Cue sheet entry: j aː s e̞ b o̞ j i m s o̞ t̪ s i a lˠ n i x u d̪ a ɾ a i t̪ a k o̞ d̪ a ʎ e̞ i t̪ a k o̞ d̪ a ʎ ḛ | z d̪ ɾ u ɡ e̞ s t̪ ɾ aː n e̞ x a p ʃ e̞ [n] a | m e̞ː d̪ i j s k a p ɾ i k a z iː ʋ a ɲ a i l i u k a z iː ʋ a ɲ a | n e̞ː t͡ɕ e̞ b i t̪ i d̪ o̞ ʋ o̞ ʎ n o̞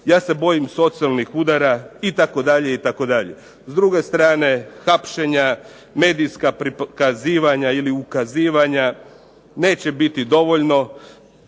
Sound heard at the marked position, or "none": ɲ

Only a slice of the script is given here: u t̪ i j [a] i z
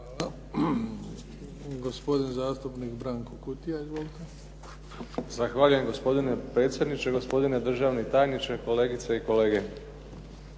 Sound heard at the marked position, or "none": a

